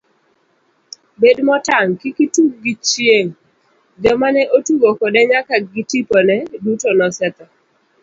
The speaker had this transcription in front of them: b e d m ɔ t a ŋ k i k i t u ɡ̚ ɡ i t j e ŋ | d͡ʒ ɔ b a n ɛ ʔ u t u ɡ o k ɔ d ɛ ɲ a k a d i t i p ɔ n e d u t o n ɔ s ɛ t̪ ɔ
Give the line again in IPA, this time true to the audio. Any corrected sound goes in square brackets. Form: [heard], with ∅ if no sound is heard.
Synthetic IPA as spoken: b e d m ɔ t a ŋ k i k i t u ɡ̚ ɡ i [t͡ʃ] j e ŋ | d͡ʒ ɔ [m] a n ɛ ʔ [o] t u ɡ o k ɔ d ɛ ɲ a k a [ɡ] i t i p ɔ n [ɛ] d u t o n ɔ s ɛ t̪ ɔ